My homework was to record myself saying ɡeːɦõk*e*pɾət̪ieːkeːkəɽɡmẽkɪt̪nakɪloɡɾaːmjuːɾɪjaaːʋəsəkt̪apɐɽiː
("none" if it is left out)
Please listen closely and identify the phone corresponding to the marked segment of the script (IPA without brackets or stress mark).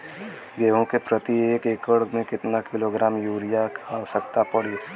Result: e